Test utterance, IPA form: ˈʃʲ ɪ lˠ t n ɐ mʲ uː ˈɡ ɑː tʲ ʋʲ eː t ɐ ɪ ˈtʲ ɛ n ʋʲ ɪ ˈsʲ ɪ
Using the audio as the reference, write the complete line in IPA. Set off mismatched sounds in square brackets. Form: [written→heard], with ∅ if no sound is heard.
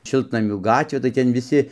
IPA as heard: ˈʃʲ ɪ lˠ t n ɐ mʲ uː ˈɡ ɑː tʲ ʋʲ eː t ɐ ɪ ˈtʲ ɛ n ʋʲ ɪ ˈsʲ ɪ